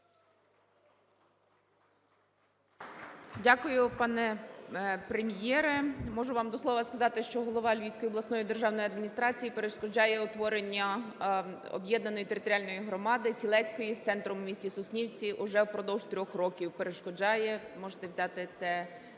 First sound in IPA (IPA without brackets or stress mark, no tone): dʲ